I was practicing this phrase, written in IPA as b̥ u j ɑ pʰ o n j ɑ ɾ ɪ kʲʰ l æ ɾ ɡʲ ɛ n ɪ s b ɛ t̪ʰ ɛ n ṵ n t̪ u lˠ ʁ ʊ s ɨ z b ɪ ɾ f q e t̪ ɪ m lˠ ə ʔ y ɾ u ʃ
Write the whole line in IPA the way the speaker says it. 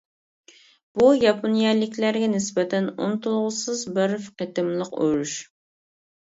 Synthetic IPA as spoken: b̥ u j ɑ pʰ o n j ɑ l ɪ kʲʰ l æ ɾ ɡʲ ɛ n ɪ s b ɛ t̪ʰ ɛ n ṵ n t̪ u lˠ ʁ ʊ s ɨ z b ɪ ɾ f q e t̪ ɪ m lˠ ə q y ɾ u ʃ

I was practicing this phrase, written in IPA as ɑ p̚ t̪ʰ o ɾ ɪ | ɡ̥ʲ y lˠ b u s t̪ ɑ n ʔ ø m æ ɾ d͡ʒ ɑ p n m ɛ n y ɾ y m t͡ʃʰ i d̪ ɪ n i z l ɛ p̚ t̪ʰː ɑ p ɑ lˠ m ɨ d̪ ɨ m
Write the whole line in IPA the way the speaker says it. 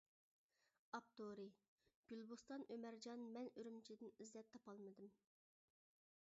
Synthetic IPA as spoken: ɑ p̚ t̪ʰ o ɾ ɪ | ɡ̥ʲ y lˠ b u s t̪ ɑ n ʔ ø m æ ɾ d͡ʒ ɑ n m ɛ n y ɾ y m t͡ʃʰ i d̪ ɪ n i z l ɛ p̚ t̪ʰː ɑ p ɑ lˠ m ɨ d̪ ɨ m

